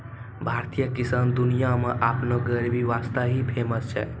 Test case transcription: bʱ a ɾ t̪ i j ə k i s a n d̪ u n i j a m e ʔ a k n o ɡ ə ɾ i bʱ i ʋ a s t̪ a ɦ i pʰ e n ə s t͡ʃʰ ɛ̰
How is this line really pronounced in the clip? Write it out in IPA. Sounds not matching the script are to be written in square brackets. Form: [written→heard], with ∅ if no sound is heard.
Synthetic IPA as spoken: bʱ a ɾ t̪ i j ə k i s a n d̪ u n i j a m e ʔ a [k→p] n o ɡ ə ɾ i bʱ i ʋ a s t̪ a ɦ i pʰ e [n→m] ə s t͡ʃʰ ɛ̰